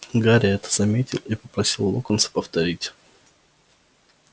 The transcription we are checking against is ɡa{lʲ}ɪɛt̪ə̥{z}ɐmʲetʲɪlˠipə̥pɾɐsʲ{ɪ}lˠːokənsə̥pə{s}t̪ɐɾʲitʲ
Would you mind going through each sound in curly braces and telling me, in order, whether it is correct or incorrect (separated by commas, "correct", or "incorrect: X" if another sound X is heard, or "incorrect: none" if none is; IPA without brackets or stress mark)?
incorrect: ɾʲ, correct, incorrect: i, incorrect: f